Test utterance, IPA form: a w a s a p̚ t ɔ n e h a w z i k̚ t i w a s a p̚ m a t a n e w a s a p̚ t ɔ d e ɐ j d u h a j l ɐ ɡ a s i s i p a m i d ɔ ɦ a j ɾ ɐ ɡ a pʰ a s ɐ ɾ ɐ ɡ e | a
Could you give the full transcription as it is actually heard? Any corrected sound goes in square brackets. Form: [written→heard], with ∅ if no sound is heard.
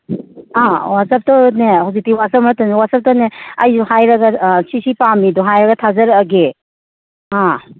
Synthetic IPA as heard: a w a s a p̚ t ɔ n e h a w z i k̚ t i w a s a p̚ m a t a n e w a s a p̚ t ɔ [d→n] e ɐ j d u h a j [l→ɾ] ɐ ɡ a s i s i p a m i d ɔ ɦ a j ɾ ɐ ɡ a [pʰ→tʰ] a [s→z] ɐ ɾ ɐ ɡ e | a

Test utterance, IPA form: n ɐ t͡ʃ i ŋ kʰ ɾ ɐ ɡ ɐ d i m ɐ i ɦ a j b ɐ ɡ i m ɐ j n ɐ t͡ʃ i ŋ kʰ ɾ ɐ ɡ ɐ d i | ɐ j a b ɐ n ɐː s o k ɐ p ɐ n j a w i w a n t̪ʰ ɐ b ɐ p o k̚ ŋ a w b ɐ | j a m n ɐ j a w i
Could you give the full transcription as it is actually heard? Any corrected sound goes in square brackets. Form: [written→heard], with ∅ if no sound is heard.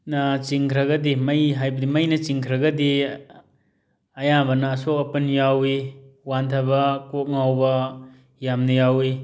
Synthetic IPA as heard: n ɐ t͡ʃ i ŋ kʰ ɾ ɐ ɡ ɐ d i m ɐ [i→j] ɦ a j b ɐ [ɡ→d] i m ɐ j n ɐ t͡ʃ i ŋ kʰ ɾ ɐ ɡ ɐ d i | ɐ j a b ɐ n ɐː s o k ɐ p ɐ n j a w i w a n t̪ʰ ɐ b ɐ [p→k] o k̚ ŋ a w b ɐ | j a m n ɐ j a w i

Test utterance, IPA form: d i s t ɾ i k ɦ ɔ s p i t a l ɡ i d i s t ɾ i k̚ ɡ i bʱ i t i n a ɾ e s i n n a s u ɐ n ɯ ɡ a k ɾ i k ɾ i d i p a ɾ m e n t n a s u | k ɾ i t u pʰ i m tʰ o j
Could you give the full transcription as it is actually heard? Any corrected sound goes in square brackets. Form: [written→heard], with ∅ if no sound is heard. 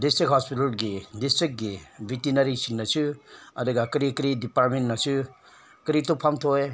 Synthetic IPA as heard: d i s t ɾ i k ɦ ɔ s p i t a l ɡ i d i s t ɾ i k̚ ɡ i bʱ i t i n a ɾ [e→i] s i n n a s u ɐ [n→d] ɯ ɡ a k ɾ i k ɾ i d i p a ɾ m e n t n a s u | k ɾ i t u pʰ [i→a] m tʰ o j

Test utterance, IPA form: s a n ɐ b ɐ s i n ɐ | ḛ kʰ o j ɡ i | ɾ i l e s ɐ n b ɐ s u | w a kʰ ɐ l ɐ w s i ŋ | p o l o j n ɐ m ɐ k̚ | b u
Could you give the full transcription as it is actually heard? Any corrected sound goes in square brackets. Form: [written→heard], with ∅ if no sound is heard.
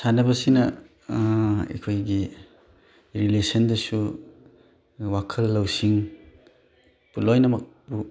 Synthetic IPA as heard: s a n ɐ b ɐ s i n ɐ | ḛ kʰ o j ɡ i | ɾ i l e s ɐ n [b→d] ɐ s u | w a kʰ ɐ [l→lː] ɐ w s i ŋ | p [o→u] l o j n ɐ m ɐ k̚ | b u

